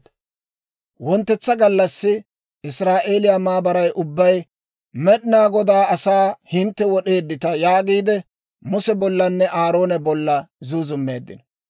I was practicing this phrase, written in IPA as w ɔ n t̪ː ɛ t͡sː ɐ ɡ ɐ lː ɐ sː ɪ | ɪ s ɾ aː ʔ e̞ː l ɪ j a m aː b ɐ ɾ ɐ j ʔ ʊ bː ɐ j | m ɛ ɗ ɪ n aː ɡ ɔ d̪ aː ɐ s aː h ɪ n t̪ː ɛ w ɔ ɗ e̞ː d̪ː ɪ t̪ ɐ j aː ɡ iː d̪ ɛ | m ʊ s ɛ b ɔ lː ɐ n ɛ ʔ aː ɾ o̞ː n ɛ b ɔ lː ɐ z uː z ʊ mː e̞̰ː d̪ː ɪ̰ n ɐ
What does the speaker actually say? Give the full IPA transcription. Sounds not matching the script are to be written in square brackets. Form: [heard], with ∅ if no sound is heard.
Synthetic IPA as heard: w ɔ n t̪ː ɛ t͡sː ɐ ɡ ɐ lː ɐ sː ɪ | ɪ s ɾ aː ʔ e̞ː l ɪ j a m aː b ɐ ɾ ɐ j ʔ ʊ bː ɐ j | m ɛ ɗ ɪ n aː ɡ ɔ d̪ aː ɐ s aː h ɪ n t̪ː ɛ w ɔ ɗ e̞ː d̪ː ɪ t̪ ɐ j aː ɡ iː d̪ ɛ | m ʊ s ɛ b ɔ lː ɐ [nː] ɛ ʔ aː ɾ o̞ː n ɛ b ɔ lː ɐ z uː z ʊ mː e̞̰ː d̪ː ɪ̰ n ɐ